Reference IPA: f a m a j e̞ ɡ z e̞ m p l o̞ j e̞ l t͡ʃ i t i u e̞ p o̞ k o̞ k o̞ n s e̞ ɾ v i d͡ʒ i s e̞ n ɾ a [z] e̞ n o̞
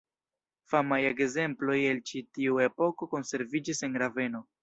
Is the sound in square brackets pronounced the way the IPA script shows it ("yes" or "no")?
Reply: no